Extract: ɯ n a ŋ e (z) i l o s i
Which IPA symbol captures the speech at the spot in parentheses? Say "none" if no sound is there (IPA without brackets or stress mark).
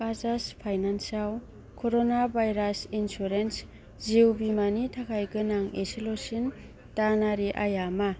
s